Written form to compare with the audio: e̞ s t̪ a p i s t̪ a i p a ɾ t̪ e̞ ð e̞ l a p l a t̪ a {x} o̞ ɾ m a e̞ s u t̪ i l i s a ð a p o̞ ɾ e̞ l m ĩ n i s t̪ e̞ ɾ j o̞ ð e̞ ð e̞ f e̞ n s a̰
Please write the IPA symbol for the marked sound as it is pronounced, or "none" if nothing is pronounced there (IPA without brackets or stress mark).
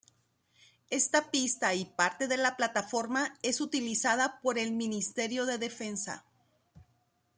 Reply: f